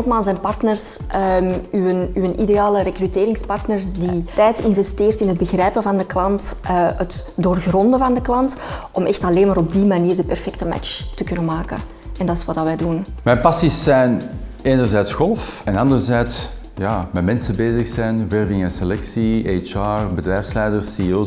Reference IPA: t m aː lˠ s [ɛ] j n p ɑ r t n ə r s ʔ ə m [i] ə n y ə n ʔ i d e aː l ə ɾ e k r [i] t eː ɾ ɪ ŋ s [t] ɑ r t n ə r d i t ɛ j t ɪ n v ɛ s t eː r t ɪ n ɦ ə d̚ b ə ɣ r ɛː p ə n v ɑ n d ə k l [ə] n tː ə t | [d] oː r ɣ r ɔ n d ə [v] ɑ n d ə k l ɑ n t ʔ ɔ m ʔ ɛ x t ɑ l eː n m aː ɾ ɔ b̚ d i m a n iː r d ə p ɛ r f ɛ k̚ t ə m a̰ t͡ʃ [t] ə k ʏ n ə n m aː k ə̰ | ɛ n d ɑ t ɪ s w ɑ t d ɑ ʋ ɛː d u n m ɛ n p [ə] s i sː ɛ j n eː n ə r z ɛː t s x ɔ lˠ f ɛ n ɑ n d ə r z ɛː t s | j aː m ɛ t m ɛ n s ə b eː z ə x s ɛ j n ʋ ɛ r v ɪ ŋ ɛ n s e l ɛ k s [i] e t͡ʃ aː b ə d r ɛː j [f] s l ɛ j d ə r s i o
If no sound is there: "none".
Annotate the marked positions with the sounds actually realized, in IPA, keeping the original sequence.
ɛ, y, y, p, ɑ, d, v, t, ɑ, i, f

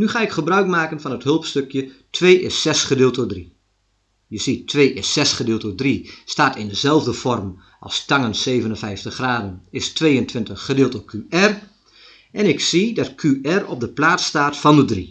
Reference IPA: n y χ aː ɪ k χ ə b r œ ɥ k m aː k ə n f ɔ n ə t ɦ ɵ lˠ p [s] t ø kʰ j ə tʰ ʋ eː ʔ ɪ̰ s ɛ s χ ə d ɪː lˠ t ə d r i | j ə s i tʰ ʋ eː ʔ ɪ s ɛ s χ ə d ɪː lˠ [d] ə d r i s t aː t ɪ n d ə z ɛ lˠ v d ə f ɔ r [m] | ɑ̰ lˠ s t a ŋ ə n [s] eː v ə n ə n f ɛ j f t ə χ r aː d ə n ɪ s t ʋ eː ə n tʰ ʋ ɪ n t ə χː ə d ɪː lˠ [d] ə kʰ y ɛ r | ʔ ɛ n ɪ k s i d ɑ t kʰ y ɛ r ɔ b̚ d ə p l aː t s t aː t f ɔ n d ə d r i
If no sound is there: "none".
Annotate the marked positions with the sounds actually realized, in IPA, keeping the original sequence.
s, t, m, s, t

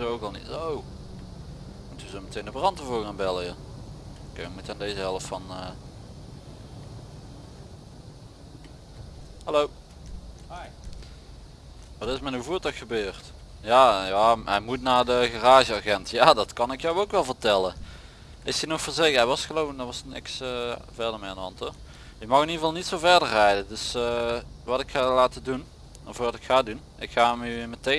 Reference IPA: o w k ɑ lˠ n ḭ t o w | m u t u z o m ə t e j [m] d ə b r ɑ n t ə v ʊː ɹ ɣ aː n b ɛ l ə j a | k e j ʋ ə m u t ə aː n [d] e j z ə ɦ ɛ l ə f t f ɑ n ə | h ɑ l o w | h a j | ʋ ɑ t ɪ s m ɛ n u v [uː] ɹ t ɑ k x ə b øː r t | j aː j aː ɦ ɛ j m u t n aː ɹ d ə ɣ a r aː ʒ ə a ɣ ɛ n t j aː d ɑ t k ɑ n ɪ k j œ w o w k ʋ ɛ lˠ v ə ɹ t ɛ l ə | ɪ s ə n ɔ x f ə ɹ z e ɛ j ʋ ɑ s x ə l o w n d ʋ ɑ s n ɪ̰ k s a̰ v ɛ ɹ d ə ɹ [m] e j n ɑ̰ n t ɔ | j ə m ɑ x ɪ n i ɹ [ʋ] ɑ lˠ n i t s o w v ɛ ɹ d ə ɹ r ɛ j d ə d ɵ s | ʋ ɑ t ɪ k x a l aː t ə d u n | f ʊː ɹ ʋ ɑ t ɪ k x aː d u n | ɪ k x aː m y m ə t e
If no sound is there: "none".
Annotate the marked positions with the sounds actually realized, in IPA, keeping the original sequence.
n, d, uː, m, v

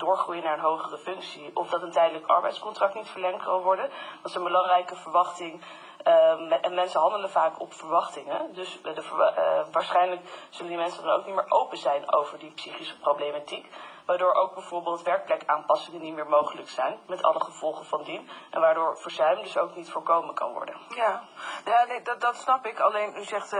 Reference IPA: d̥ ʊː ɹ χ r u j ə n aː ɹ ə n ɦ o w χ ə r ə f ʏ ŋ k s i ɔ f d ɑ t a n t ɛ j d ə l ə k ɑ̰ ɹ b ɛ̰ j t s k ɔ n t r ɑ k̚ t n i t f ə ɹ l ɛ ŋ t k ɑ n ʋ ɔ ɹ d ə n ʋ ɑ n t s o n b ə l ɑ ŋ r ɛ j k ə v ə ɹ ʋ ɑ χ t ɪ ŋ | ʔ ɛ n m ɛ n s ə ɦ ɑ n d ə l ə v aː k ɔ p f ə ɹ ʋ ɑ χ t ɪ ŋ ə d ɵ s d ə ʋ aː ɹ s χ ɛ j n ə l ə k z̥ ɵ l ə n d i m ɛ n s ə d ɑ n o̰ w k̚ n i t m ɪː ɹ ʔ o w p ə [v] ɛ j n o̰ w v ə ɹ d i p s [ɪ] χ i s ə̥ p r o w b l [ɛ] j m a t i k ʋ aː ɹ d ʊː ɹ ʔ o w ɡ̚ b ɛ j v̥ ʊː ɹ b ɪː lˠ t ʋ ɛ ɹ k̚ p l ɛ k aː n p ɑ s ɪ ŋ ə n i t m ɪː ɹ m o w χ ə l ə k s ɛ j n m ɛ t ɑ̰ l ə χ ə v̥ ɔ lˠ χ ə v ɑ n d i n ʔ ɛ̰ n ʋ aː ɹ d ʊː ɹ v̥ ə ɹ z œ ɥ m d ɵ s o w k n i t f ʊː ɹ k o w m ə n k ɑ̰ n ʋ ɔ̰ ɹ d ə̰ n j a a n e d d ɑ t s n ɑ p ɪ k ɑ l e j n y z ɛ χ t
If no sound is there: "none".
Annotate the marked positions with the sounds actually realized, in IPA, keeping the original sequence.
z, i, e

